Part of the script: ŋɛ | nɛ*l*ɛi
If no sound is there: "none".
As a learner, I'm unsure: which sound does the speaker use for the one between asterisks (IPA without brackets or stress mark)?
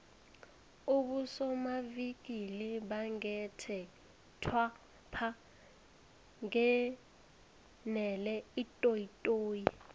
l